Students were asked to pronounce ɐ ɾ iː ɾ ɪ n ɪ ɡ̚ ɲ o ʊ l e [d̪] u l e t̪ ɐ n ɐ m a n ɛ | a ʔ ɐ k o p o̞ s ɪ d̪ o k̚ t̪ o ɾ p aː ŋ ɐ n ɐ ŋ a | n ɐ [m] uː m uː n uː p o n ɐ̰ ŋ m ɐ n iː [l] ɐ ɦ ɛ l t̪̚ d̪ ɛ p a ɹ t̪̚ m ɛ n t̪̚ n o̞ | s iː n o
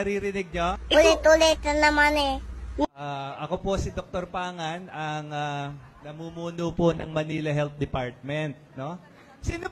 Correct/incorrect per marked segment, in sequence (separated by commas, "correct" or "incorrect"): incorrect, correct, correct